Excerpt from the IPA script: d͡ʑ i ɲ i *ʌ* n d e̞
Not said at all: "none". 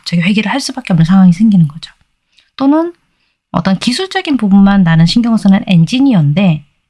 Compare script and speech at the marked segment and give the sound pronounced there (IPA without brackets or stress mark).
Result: ʌ